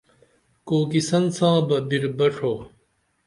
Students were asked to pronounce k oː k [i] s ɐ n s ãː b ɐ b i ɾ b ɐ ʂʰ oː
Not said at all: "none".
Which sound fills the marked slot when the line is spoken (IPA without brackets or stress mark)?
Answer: i